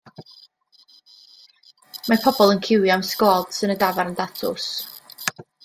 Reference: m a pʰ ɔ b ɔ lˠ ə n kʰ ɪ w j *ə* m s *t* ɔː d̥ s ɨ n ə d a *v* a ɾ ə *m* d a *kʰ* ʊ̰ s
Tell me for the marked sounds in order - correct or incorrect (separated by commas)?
incorrect, incorrect, correct, incorrect, incorrect